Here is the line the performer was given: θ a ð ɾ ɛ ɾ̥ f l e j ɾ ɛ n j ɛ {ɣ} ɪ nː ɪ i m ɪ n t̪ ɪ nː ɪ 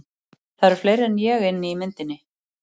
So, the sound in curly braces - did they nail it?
yes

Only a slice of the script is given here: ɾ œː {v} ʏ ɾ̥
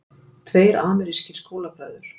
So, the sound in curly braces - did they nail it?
no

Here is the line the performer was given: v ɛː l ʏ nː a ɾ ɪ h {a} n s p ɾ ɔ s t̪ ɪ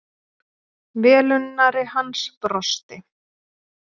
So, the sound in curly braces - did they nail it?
yes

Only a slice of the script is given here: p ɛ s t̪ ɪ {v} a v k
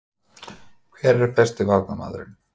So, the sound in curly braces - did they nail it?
yes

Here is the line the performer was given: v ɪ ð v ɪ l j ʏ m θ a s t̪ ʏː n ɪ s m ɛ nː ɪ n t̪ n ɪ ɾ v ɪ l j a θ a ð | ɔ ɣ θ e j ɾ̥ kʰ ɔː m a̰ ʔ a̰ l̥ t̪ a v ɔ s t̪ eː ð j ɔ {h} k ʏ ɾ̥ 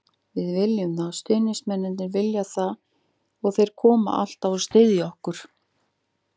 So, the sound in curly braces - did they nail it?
yes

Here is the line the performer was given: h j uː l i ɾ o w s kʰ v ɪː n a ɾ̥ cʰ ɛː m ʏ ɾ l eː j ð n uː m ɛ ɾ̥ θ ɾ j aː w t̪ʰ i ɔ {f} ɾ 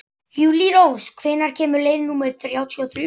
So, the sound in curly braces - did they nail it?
no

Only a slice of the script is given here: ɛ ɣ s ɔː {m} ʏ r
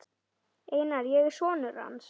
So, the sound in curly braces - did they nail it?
no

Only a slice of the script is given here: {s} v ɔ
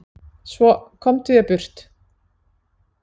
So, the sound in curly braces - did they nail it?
yes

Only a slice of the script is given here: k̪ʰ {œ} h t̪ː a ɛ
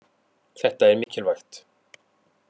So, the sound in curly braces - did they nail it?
no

